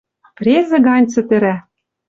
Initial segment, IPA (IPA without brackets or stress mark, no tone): p